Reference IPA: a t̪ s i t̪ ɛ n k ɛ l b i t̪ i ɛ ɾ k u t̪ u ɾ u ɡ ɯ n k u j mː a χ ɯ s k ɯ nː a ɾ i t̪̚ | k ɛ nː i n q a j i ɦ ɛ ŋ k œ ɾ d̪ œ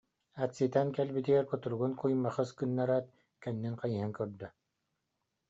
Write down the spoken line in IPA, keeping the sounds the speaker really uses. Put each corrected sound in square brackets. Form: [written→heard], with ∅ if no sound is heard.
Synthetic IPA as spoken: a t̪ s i t̪ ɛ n k ɛ l b i t̪ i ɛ ɾ k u t̪ u ɾ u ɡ [ɯ→u] n k u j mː a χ ɯ s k ɯ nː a ɾ [i→a] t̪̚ | k ɛ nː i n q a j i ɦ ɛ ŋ k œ ɾ d̪ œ

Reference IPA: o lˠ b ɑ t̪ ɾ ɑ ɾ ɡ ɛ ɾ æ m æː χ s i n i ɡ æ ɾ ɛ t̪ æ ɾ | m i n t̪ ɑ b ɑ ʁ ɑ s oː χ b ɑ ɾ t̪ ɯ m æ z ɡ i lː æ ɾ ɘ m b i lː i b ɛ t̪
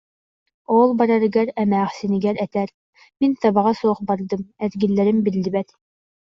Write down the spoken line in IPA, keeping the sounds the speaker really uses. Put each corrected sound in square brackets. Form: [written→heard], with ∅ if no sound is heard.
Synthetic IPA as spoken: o lˠ b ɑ [t̪→∅] ɾ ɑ ɾ ɡ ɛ ɾ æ m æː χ s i n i ɡ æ ɾ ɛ t̪ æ ɾ | m i n t̪ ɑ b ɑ ʁ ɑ s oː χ b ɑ ɾ [t̪→d̪] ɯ m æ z ɡ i lː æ ɾ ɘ m b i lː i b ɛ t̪

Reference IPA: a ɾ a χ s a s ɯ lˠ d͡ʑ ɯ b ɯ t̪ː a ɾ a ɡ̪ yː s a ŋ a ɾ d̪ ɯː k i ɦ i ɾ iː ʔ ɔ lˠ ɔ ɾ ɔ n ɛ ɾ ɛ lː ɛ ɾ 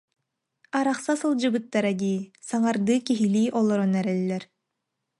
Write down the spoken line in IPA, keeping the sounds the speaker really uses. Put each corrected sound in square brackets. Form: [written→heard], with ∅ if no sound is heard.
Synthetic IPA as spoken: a ɾ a χ s a s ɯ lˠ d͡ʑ ɯ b ɯ t̪ː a ɾ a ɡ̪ [yː→iː] s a ŋ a ɾ d̪ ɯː k i ɦ i [ɾ→l] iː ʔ ɔ lˠ ɔ ɾ ɔ n ɛ ɾ ɛ lː ɛ ɾ

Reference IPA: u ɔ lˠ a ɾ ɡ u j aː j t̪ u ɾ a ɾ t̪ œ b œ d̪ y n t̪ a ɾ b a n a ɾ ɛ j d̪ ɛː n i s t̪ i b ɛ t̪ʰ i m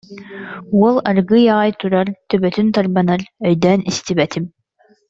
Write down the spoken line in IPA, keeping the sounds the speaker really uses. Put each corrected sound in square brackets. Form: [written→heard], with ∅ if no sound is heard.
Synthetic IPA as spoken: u ɔ lˠ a ɾ ɡ [u→ɯ] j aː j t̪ u ɾ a ɾ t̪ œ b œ [d̪→t̪] y n t̪ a ɾ b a n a ɾ [ɛ→œ] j d̪ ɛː n i s t̪ i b ɛ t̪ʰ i m

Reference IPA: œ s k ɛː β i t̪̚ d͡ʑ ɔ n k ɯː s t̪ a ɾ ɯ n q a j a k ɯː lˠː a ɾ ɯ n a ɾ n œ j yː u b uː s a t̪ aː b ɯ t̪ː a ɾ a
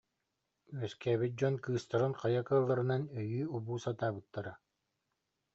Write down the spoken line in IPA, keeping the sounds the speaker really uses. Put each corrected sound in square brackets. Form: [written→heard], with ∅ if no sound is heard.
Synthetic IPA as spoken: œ s k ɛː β i t̪̚ d͡ʑ ɔ n k ɯː s t̪ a ɾ ɯ n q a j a k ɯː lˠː a ɾ ɯ n a [ɾ→∅] n œ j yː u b uː s a t̪ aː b ɯ t̪ː a ɾ a

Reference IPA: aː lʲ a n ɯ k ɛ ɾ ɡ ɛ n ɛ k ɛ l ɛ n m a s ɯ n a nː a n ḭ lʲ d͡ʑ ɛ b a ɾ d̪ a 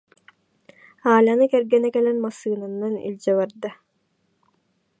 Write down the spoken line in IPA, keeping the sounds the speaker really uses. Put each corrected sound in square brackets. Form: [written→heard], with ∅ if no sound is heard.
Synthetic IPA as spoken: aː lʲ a n ɯ k ɛ ɾ ɡ ɛ n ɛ k ɛ l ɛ n m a s [ɯ→ɯː] n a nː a n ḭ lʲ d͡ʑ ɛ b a ɾ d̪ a

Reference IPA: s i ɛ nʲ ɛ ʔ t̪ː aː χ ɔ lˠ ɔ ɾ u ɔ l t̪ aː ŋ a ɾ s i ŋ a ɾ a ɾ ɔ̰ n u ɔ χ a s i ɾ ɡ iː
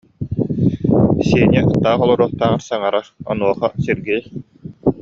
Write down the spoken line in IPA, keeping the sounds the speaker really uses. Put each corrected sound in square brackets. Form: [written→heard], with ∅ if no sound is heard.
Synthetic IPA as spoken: s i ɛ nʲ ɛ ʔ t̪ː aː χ ɔ lˠ ɔ ɾ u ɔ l t̪ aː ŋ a ɾ s [i→a] ŋ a ɾ a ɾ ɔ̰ n u ɔ χ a s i ɾ ɡ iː

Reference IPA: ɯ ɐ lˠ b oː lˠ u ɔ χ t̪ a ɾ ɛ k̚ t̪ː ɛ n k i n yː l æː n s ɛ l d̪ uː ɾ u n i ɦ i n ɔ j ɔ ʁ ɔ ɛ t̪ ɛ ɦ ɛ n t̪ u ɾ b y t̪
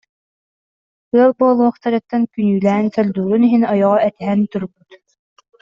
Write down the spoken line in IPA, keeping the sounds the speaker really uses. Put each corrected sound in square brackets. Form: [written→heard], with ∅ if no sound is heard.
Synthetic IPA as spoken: ɯ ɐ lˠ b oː lˠ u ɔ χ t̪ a ɾ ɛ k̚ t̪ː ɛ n k [i→y] n yː l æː n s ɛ l d̪ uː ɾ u n i ɦ i n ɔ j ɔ ʁ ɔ ɛ t̪ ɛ ɦ ɛ n t̪ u ɾ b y t̪

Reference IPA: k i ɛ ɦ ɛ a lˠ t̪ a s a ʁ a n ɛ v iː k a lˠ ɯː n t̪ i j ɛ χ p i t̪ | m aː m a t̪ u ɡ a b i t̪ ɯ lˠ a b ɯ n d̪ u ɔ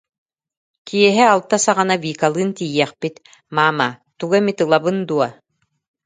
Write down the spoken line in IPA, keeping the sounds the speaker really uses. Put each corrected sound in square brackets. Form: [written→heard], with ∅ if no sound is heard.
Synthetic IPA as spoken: k i ɛ ɦ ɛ a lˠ t̪ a s a ʁ a n [ɛ→a] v iː k a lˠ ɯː n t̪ i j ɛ χ p i t̪ | m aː m a t̪ u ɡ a [b→m] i t̪ ɯ lˠ a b ɯ n d̪ u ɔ

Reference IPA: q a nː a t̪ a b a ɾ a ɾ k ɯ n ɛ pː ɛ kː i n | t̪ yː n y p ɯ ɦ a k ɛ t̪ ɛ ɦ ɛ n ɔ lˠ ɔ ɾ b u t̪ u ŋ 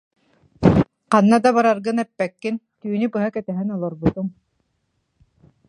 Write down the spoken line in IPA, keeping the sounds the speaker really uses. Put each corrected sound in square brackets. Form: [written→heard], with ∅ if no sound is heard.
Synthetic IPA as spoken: q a nː a [t̪→d̪] a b a ɾ a ɾ [k→ɡ] ɯ n ɛ pː ɛ kː i n | t̪ yː n y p ɯ ɦ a k ɛ t̪ ɛ ɦ ɛ n ɔ lˠ ɔ ɾ b u t̪ u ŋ

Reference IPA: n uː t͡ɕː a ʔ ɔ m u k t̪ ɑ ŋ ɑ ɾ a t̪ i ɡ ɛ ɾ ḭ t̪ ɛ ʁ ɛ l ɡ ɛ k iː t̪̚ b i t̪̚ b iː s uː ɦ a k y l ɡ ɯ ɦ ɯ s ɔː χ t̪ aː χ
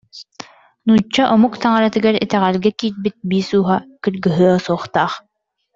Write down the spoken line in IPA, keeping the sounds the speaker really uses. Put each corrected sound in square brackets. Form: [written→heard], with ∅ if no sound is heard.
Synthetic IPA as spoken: n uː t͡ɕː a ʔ ɔ m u k t̪ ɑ ŋ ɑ ɾ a t̪ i ɡ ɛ ɾ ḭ t̪ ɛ ʁ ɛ l ɡ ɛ k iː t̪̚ b i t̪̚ b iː s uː ɦ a k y l ɡ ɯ ɦ ɯ s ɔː χ t̪ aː χ

